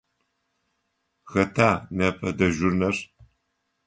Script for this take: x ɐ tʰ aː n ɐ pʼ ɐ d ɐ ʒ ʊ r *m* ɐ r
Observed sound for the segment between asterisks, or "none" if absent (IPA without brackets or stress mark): n